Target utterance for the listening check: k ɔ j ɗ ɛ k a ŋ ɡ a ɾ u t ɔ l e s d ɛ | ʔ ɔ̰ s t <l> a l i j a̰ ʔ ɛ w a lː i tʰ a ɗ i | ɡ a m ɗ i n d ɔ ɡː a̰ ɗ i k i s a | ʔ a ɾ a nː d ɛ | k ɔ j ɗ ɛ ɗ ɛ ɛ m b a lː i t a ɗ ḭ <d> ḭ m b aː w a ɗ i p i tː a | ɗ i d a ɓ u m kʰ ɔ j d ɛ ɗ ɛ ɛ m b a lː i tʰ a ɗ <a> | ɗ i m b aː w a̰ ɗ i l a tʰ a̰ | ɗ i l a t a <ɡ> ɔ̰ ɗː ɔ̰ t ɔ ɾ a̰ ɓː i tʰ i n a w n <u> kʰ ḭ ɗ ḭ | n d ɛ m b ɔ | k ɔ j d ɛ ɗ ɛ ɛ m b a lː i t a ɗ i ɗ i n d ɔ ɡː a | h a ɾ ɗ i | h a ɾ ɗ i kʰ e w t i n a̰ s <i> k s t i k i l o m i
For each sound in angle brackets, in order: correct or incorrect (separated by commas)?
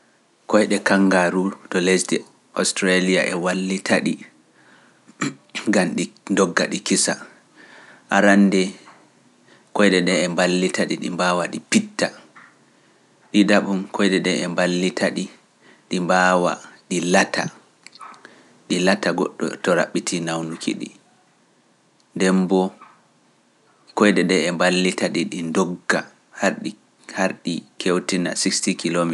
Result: incorrect, incorrect, incorrect, correct, correct, correct